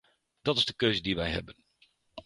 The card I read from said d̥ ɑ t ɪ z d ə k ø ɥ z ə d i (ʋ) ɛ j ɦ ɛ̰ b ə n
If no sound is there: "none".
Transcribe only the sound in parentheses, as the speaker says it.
ʋ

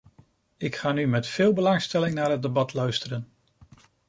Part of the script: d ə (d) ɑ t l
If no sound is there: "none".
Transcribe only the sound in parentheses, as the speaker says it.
b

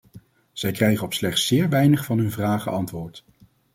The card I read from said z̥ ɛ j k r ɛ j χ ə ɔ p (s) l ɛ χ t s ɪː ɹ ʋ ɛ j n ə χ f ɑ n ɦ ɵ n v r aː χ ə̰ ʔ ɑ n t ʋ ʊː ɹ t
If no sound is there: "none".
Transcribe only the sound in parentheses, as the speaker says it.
s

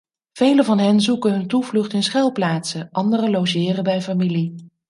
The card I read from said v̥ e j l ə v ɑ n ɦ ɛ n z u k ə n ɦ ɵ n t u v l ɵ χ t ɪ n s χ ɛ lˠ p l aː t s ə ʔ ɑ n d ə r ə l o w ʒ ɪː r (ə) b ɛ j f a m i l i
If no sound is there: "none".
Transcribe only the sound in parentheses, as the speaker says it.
ə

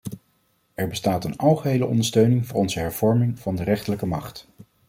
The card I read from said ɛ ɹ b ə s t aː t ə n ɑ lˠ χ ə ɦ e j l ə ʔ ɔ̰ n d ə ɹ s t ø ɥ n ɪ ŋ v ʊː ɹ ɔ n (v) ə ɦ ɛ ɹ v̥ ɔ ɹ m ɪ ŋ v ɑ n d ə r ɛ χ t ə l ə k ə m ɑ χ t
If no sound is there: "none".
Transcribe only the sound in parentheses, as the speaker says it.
z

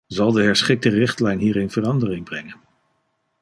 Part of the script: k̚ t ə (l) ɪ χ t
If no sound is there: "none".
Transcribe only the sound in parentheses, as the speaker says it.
r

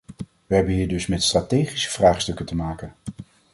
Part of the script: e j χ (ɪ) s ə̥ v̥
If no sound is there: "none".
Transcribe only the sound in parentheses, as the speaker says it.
i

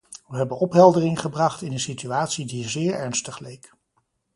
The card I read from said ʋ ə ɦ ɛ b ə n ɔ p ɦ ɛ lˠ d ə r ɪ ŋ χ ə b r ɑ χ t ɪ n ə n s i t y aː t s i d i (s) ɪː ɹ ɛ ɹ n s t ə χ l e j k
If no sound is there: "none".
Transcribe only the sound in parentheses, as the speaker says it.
z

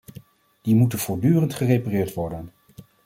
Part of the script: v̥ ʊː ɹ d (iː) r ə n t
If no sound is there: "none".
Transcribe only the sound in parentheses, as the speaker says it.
yː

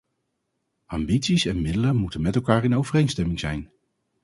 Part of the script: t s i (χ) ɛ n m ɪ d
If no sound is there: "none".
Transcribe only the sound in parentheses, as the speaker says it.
s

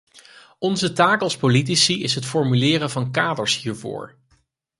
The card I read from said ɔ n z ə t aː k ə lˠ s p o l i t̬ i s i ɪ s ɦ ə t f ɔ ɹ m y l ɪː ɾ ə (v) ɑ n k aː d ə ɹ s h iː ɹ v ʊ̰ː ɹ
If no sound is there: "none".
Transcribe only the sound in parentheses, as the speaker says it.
v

